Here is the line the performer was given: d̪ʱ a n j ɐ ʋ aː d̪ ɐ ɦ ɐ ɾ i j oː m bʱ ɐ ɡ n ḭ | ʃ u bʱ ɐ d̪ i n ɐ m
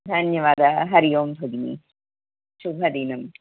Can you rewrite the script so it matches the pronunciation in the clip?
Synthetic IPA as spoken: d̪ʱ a n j ɐ ʋ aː d̪ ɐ ɦ ɐ ɾ i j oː m bʱ ɐ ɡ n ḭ | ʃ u bʱ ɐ d̪ i n ɐ m